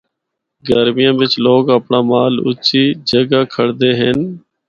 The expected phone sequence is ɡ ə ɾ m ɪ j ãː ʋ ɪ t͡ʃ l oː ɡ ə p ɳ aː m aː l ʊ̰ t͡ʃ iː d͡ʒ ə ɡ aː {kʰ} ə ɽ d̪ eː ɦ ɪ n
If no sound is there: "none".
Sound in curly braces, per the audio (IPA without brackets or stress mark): kʰ